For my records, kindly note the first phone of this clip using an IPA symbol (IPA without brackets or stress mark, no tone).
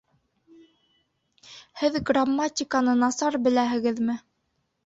h